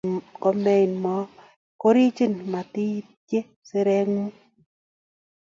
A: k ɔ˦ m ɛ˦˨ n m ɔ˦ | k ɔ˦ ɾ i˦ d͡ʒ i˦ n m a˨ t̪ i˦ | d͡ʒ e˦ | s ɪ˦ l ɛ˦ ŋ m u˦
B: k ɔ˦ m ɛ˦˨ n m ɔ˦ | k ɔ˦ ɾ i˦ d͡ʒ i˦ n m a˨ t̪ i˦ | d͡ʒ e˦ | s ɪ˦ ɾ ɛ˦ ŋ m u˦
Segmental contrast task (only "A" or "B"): B